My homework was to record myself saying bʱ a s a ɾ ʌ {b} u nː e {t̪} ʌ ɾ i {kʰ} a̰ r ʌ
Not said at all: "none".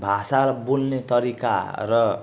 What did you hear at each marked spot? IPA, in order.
b, t̪, k

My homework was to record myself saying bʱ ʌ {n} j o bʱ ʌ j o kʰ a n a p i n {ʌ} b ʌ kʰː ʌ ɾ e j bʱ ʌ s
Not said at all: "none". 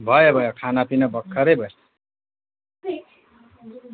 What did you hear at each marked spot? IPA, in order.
none, ʌ

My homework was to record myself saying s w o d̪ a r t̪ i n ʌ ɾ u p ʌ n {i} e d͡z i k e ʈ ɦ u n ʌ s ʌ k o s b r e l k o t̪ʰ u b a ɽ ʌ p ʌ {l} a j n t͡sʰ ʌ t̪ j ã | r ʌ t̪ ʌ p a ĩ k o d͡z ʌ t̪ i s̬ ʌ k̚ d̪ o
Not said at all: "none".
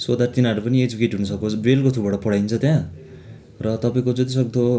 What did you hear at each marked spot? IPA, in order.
i, ɽ

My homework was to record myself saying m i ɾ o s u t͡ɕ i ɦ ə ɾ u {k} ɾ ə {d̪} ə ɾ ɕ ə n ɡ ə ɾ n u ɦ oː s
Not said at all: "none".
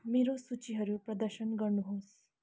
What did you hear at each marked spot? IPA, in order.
p, d̪

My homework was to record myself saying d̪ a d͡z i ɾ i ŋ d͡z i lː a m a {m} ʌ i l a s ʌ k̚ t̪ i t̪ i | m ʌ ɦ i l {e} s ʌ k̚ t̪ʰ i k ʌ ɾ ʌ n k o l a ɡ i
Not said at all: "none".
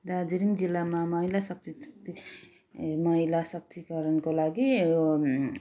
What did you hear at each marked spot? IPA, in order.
m, a

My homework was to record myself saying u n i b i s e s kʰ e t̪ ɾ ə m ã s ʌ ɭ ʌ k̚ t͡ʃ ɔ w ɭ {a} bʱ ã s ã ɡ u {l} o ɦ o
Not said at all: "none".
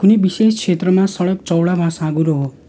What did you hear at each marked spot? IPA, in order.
a, ɾ

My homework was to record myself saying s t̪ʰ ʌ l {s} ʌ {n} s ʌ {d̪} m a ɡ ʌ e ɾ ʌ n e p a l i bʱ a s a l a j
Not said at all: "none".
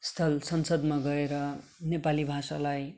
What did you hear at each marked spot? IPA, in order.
s, n, d̪

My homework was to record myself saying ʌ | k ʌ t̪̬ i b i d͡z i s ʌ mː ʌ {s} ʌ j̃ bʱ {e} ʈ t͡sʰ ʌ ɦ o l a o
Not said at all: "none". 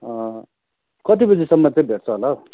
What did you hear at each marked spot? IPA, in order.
t͡s, e

